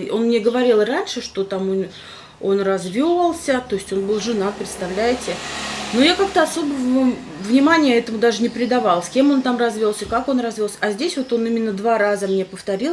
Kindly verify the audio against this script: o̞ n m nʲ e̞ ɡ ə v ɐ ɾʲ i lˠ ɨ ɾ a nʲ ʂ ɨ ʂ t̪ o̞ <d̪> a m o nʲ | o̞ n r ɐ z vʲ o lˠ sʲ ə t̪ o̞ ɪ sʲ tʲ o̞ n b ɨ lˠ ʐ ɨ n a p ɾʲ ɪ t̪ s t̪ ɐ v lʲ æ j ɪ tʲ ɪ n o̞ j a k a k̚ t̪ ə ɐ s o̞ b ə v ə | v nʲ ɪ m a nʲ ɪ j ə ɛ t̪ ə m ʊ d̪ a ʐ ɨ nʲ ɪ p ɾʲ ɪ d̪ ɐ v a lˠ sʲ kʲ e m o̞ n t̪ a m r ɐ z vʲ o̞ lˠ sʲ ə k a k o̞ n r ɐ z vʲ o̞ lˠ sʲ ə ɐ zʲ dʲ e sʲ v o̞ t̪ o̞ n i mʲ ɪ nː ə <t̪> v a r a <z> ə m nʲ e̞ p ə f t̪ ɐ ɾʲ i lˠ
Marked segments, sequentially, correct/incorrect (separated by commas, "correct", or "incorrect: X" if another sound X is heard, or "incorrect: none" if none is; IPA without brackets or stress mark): incorrect: t̪, incorrect: d̪, correct